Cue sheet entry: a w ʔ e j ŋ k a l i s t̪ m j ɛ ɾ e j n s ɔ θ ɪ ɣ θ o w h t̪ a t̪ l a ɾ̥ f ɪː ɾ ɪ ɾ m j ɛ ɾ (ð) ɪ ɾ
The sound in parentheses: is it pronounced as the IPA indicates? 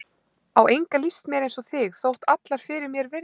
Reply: no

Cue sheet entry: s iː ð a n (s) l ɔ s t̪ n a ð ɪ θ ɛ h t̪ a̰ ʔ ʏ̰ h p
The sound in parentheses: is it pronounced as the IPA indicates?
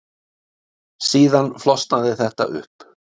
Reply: no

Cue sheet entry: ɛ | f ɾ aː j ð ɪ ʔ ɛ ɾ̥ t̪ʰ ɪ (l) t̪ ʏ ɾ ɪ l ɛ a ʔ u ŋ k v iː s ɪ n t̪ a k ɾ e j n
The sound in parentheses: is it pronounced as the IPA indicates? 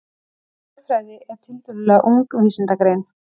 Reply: yes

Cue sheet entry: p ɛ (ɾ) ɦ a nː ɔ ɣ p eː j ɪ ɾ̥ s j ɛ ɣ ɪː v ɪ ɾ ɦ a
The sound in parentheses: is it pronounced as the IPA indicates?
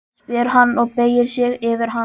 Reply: yes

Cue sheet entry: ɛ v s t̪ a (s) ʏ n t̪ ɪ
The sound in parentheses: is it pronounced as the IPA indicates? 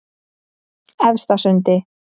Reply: yes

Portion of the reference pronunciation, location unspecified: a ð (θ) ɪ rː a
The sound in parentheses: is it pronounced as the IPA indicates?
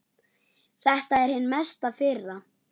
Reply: no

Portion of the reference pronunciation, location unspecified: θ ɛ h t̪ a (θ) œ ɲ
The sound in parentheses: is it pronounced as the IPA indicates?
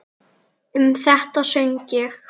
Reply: no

